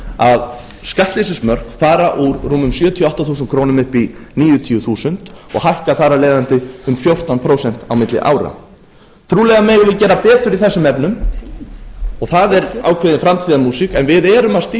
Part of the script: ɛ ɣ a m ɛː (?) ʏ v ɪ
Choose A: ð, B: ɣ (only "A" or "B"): B